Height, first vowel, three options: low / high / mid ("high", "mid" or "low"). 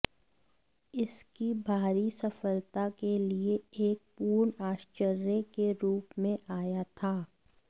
high